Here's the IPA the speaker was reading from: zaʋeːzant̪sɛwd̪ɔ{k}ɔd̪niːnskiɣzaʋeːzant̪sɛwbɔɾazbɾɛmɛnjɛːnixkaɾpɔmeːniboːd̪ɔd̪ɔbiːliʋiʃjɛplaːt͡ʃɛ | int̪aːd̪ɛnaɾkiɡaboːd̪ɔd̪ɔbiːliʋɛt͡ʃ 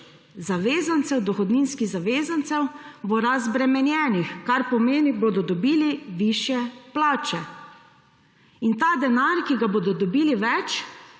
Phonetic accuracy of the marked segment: incorrect: x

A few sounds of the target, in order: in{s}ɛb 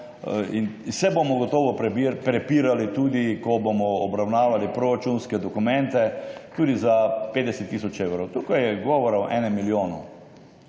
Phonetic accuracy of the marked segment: correct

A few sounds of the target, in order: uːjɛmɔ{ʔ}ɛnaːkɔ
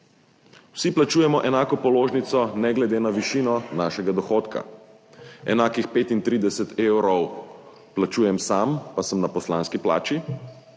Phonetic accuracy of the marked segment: correct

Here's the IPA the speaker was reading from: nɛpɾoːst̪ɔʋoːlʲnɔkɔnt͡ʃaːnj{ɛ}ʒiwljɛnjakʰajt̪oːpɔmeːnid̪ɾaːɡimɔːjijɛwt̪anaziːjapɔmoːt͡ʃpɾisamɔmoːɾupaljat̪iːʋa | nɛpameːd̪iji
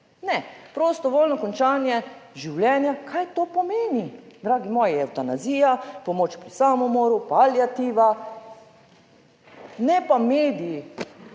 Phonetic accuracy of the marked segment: correct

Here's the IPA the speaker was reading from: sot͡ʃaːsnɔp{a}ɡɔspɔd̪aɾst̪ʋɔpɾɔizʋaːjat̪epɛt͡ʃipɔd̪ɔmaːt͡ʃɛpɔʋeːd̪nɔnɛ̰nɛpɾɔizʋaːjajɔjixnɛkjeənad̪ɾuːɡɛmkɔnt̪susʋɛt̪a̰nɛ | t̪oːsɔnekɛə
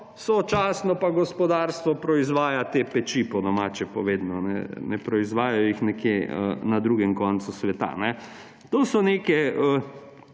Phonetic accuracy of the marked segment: correct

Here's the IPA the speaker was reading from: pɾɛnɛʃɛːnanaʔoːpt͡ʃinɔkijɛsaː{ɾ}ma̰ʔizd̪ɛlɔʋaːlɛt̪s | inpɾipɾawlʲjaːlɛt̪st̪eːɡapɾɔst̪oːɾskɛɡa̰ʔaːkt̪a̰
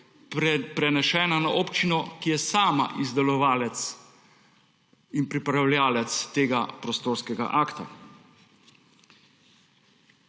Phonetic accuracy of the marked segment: incorrect: none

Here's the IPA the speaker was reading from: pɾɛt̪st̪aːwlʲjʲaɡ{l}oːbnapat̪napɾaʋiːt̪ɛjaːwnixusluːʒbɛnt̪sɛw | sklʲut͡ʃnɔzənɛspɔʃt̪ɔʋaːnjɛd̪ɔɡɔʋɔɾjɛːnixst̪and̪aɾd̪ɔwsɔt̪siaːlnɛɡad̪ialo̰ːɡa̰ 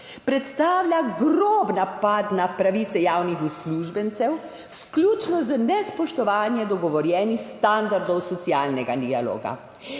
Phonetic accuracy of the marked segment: incorrect: ɾ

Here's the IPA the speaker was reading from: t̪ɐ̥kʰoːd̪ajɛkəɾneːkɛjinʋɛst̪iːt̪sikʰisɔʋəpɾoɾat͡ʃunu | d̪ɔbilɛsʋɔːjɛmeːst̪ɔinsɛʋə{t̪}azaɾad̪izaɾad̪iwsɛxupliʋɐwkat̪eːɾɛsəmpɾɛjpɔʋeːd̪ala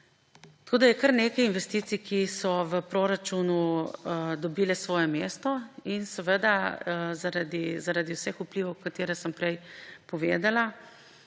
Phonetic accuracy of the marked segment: incorrect: d̪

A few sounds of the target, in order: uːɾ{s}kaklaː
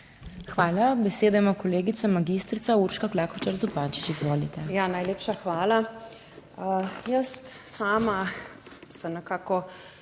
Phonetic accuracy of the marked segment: incorrect: ʃ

